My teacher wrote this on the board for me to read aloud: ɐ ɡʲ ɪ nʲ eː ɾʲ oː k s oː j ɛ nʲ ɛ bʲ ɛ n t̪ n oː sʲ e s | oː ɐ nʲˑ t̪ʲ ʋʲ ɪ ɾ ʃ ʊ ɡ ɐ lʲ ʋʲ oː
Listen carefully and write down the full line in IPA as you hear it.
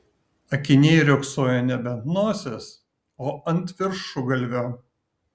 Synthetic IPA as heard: ɐ kʲ ɪ nʲ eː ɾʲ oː k s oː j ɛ nʲ ɛ bʲ ɛ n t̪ n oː sʲ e s | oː ɐ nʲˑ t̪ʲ ʋʲ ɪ ɾ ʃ ʊ ɡ ɐ lʲ ʋʲ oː